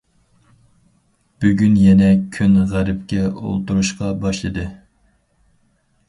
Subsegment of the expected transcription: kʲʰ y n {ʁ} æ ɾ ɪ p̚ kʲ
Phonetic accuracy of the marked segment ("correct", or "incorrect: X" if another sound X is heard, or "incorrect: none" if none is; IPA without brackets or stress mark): correct